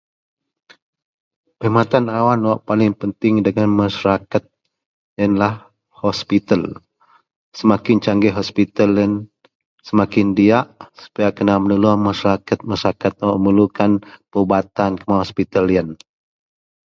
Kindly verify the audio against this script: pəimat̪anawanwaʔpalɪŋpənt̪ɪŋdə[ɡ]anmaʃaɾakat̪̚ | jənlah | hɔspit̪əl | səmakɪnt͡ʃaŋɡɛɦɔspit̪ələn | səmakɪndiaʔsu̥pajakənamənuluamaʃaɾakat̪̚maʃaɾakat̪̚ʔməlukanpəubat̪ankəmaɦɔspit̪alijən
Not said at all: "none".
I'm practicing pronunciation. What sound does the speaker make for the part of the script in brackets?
ŋ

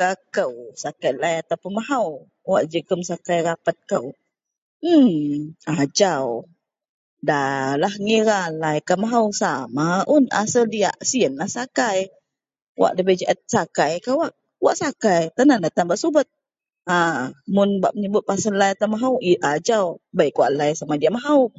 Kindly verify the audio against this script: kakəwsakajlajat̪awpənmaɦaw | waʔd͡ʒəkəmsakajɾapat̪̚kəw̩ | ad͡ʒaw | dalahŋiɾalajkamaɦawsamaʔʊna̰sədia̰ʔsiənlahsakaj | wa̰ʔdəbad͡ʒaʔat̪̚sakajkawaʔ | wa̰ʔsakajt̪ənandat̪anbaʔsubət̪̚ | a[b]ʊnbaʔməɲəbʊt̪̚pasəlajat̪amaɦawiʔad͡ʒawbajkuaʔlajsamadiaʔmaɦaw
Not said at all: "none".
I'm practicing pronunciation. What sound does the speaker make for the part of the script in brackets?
m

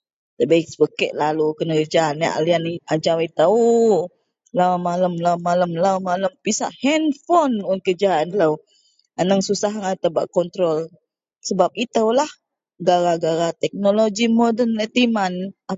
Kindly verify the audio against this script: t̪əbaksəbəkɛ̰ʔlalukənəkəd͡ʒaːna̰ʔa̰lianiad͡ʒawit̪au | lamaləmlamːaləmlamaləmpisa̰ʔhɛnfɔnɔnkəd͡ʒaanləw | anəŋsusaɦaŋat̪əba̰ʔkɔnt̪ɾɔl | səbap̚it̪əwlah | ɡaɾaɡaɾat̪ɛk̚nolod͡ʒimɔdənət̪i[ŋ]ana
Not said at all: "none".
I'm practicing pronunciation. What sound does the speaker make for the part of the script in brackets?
m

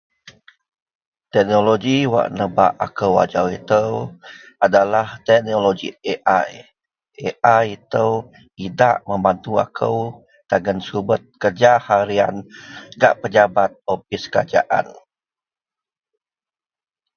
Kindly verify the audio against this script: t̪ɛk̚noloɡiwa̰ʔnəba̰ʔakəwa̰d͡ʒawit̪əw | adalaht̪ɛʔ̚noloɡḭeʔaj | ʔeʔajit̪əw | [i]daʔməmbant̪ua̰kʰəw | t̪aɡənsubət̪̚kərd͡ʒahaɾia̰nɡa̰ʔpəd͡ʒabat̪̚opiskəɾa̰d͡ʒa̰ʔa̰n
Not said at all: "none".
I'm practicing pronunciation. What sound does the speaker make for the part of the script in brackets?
i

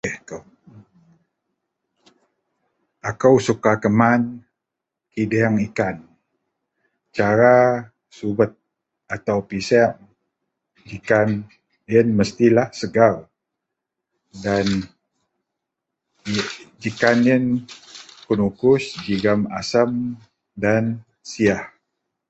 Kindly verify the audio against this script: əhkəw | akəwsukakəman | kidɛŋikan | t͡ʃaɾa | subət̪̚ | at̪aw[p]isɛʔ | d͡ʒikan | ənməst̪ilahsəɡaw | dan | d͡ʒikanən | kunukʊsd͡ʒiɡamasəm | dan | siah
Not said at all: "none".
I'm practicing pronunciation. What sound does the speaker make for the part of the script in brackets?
p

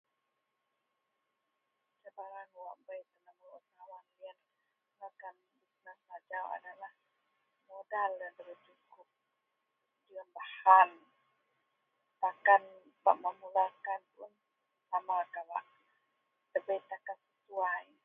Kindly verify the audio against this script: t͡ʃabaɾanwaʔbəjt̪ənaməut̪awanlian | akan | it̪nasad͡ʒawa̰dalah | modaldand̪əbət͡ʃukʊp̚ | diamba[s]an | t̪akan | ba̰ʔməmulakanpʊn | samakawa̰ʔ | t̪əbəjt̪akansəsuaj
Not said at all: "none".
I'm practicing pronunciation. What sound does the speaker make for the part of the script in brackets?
h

